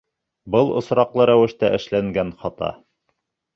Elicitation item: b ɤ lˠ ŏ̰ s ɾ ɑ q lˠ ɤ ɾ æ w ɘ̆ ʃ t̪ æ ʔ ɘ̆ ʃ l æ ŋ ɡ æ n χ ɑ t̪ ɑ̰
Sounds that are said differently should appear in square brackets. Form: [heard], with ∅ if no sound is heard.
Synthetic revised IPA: b ɤ lˠ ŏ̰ s ɾ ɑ q lˠ ɤ ɾ æ w ɘ̆ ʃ t̪ æ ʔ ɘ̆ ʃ l æ ŋ ɡ æ n χ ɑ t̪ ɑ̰